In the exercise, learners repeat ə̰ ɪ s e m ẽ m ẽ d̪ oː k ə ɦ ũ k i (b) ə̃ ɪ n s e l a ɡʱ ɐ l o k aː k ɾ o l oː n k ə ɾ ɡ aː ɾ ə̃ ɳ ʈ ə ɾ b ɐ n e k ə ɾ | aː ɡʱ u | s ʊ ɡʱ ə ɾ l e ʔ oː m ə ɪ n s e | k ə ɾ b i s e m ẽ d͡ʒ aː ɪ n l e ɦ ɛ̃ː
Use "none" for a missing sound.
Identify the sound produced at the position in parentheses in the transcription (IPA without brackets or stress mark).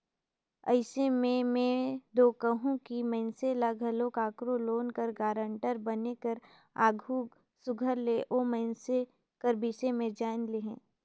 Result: m